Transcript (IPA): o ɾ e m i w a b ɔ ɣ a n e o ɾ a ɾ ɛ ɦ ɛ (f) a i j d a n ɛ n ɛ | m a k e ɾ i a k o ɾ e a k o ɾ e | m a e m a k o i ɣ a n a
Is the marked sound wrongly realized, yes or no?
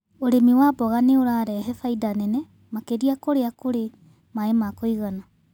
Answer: no